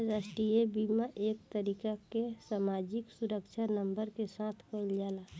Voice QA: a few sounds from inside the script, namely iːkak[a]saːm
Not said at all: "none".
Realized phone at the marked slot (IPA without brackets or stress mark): e